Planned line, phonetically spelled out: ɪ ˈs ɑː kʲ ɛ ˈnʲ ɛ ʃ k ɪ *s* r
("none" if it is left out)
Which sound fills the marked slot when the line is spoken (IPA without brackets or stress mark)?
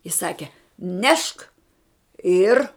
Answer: none